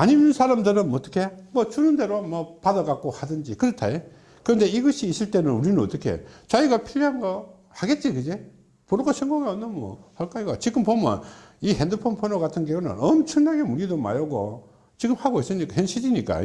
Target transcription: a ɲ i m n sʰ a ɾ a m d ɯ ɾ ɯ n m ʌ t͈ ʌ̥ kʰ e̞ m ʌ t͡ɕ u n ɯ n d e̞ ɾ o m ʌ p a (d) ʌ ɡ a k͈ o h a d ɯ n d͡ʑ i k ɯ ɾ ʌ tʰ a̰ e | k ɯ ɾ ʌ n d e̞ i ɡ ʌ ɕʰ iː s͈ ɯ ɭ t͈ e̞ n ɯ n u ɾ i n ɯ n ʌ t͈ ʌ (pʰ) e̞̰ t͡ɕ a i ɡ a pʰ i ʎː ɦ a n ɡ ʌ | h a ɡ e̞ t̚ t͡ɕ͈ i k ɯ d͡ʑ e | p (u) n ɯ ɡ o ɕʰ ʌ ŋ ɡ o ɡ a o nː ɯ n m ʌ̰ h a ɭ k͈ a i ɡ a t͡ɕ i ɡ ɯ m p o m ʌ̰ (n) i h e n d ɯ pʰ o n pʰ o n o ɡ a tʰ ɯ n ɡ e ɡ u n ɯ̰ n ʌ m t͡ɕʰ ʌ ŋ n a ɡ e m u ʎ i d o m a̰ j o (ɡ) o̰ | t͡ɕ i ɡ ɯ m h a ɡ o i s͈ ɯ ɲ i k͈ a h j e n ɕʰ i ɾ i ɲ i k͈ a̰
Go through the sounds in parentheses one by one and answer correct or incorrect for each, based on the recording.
correct, incorrect, incorrect, correct, correct

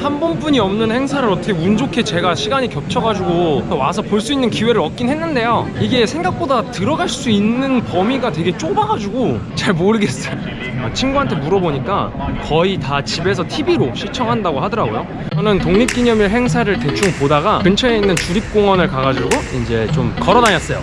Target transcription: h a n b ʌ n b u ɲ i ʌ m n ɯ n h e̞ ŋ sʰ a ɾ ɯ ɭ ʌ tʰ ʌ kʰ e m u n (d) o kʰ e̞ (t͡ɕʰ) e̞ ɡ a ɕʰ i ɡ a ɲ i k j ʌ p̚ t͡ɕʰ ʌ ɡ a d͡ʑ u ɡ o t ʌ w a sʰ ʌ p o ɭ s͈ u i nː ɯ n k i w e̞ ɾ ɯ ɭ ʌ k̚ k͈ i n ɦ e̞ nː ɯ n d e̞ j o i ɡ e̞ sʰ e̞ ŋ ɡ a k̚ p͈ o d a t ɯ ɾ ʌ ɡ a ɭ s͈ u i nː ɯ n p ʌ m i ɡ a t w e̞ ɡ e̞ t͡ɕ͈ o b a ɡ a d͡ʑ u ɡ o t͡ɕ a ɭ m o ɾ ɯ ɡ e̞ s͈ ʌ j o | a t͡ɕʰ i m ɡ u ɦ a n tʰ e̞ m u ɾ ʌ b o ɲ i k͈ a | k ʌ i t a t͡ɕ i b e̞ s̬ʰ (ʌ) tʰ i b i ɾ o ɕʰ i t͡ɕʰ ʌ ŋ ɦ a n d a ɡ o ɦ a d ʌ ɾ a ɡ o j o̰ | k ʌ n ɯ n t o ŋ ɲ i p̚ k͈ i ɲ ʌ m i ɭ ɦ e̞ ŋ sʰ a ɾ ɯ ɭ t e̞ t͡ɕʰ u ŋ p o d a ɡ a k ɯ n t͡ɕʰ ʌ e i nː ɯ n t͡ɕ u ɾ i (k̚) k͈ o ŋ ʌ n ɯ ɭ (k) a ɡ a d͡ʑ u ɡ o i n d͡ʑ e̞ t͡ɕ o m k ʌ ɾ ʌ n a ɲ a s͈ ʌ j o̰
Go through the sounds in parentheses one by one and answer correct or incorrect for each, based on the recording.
incorrect, incorrect, correct, incorrect, correct

